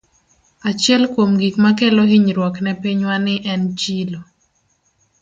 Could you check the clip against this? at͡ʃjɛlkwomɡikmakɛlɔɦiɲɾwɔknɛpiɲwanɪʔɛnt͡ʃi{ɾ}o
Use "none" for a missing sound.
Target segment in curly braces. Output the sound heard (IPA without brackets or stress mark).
l